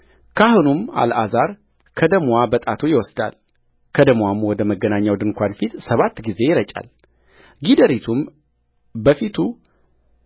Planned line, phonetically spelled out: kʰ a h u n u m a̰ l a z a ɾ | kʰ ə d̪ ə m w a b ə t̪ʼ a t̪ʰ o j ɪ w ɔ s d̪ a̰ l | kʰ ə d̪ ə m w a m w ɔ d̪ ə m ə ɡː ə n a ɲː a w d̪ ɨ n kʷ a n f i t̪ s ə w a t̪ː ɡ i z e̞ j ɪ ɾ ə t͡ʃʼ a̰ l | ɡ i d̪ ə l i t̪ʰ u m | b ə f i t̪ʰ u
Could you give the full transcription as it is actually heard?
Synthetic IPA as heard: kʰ a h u n u m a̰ l a z a ɾ | kʰ ə d̪ ə m w a b ə t̪ʼ a t̪ʰ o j ɪ w ɔ s d̪ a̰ l | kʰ ə d̪ ə m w a m w ɔ d̪ ə m ə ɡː ə n a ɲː a w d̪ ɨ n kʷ a n f i t̪ s ə β a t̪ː ɡ i z e̞ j ɪ ɾ ə t͡ʃʼ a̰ l | ɡ i d̪ ə ɾ i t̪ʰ u m | b ə f i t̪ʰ u